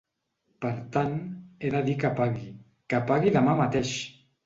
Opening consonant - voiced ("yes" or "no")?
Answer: no